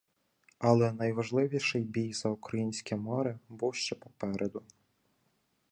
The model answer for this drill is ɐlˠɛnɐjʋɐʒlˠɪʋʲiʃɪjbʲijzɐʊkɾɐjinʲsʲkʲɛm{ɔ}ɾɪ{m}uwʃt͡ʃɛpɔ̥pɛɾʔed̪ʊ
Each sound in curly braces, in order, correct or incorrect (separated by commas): correct, incorrect